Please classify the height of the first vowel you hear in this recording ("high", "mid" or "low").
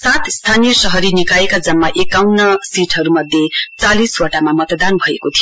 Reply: low